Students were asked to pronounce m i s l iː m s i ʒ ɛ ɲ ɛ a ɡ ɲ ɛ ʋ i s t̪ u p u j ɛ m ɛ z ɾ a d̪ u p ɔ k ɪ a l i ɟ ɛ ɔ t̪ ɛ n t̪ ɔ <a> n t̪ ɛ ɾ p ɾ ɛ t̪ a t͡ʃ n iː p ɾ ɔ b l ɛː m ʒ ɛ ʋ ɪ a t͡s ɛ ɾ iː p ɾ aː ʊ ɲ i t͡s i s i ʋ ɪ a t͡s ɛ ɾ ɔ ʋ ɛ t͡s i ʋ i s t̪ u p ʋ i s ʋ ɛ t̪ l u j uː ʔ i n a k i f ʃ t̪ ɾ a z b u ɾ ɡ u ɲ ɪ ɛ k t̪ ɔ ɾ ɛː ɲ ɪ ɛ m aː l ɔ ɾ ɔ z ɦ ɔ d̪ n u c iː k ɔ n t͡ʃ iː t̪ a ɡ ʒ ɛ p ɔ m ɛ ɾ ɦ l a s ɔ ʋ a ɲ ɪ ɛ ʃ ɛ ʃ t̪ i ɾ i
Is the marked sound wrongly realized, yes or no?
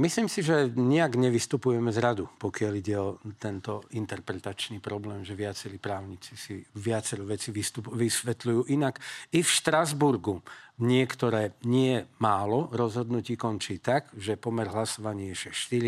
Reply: yes